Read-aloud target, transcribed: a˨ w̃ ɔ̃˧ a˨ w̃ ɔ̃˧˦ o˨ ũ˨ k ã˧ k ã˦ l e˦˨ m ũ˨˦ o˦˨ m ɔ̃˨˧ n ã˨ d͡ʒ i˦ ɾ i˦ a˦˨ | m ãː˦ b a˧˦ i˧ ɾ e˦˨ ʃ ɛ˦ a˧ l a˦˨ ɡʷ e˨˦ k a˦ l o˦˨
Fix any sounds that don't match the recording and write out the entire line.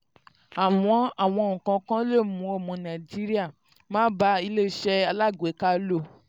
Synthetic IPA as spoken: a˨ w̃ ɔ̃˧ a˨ w̃ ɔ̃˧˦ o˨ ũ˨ k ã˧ k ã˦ l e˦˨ m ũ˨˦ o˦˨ m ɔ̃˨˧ n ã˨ d͡ʒ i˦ ɾ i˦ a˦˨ | m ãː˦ b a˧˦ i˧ l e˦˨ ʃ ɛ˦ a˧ l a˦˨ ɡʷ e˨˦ k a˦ l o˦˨

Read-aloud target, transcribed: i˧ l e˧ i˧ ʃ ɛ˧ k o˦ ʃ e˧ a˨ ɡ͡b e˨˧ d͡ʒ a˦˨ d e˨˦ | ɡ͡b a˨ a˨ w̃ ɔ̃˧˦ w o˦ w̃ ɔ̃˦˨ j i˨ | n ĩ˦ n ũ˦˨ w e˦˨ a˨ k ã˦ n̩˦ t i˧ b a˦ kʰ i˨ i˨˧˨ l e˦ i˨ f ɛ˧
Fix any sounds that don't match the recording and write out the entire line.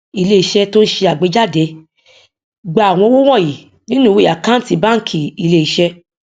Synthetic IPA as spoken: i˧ l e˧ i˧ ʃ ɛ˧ t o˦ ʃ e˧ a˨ ɡ͡b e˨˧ d͡ʒ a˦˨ d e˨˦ | ɡ͡b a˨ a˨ w̃ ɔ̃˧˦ w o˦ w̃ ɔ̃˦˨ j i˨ | n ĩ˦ n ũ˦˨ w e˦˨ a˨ k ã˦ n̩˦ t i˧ b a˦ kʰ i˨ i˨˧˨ l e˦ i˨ ʃ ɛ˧

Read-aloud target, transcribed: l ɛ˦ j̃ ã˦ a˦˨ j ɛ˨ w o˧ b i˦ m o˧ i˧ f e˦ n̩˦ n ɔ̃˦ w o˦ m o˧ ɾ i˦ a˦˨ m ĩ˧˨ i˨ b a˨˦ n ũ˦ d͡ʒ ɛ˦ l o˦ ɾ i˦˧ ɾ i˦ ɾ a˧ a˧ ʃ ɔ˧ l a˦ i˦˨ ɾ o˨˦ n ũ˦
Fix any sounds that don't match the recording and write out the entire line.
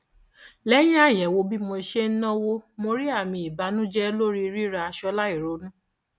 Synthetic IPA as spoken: l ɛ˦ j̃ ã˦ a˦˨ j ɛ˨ w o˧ b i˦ m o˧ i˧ ʃ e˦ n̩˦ n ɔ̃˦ w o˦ m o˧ ɾ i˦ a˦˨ m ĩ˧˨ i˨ b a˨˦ n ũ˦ d͡ʒ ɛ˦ l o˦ ɾ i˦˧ ɾ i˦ ɾ a˧ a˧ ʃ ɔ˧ l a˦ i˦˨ ɾ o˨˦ n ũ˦

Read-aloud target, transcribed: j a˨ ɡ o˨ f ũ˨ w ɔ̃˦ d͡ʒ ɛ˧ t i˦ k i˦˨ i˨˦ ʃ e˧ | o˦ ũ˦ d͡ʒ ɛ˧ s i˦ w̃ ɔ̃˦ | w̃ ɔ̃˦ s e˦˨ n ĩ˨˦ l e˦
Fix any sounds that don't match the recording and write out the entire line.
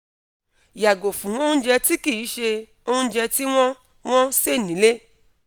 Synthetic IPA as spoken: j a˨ ɡ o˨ f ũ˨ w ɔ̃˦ d͡ʒ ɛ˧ t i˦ k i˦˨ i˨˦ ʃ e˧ | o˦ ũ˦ d͡ʒ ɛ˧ t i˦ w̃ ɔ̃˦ | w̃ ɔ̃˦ s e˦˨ n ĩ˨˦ l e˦

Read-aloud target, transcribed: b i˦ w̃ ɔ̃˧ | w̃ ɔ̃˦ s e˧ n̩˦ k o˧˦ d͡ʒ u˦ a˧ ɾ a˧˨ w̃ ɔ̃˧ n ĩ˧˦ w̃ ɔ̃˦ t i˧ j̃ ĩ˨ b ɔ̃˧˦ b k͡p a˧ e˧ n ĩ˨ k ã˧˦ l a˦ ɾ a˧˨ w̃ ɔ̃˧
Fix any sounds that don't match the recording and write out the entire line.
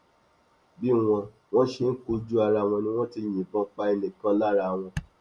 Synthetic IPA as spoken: b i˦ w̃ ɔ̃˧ | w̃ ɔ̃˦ ʃ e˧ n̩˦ k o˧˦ d͡ʒ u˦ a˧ ɾ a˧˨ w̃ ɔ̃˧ n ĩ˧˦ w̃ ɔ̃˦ t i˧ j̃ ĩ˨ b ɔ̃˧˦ k͡p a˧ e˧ n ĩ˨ k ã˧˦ l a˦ ɾ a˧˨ w̃ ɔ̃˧

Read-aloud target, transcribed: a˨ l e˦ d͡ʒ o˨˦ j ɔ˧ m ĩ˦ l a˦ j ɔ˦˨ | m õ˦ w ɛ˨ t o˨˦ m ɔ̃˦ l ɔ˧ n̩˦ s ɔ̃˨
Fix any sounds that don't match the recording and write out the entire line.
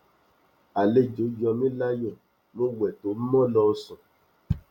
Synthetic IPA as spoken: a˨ l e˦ d͡ʒ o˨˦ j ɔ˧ m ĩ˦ l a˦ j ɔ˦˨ | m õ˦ w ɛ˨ t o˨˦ m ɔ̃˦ l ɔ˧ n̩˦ s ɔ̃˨

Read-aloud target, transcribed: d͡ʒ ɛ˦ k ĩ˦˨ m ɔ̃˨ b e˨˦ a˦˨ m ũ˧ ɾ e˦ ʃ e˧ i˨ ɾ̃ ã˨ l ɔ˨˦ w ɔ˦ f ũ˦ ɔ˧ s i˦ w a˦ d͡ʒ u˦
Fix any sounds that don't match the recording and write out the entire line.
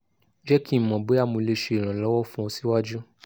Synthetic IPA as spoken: d͡ʒ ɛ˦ k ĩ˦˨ m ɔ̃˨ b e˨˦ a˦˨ m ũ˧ l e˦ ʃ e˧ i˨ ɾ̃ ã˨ l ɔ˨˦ w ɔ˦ f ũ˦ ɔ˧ s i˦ w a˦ d͡ʒ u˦

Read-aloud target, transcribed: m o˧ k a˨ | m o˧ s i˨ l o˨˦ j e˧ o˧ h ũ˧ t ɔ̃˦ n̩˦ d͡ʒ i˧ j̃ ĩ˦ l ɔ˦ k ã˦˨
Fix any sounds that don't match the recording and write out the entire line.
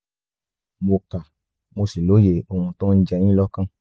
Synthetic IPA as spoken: m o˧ k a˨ | m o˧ s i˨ l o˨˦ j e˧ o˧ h ũ˧ t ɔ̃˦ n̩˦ d͡ʒ ɛ˧ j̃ ĩ˦ l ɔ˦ k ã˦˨

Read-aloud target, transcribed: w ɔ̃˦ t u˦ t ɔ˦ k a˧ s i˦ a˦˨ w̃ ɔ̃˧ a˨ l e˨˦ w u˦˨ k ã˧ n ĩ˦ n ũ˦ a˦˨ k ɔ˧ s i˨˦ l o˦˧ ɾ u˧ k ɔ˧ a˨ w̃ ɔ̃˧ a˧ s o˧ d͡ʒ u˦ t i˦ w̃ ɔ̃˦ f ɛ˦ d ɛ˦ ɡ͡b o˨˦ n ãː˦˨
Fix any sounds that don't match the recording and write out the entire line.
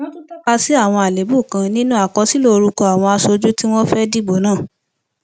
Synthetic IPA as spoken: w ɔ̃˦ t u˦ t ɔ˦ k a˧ s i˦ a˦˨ w̃ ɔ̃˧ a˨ l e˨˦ b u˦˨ k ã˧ n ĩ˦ n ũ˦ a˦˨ k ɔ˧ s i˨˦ l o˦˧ ɾ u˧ k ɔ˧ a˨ w̃ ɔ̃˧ a˧ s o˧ d͡ʒ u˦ t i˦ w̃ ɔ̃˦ f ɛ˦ d i˦ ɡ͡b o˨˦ n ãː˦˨

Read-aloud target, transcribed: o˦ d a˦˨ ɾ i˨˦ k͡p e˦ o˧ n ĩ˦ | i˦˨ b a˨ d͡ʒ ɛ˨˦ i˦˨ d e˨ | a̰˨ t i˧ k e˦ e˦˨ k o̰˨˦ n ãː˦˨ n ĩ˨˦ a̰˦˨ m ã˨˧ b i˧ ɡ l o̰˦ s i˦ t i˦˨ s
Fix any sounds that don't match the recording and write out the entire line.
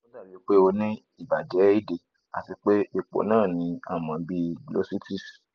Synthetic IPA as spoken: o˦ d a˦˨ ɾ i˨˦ k͡p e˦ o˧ n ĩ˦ | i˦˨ b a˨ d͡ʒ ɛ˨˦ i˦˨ d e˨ | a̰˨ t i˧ k͡p e˦ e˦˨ k͡p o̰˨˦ n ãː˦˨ n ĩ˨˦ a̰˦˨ m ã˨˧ b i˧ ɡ l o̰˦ s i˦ t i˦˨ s

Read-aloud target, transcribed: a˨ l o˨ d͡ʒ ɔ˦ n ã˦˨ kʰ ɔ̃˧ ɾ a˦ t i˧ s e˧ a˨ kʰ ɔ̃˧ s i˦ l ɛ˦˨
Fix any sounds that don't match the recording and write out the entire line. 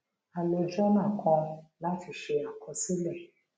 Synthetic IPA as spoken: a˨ l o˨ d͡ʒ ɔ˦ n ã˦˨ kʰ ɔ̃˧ l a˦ t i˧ ʃ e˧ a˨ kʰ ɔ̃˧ s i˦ l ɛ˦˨

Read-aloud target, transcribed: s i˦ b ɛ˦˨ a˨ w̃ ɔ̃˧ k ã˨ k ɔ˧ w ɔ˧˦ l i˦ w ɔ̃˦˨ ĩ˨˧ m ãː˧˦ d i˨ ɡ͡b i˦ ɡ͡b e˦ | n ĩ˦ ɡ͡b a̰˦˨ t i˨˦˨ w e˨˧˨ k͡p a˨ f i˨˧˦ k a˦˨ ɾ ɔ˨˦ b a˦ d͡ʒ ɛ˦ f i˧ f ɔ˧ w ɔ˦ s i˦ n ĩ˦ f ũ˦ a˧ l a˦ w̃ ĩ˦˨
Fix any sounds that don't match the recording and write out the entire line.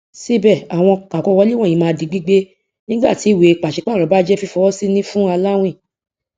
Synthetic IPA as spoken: s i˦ b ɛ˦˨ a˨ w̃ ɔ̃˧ k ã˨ k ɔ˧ w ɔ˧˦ l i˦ w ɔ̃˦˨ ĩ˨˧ m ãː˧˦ d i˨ ɡ͡b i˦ ɡ͡b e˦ | n ĩ˦ ɡ͡b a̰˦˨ t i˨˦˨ w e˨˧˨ k͡p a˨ ʃ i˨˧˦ k͡p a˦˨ ɾ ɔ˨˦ b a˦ d͡ʒ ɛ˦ f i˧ f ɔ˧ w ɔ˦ s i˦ n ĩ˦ f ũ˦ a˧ l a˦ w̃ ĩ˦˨

